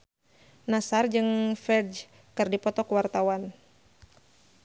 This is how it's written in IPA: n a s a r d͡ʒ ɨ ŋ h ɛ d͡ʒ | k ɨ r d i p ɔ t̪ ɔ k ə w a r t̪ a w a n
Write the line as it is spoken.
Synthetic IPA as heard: n a s a r d͡ʒ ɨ ŋ f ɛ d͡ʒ | k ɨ r d i p ɔ t̪ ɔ k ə w a r t̪ a w a n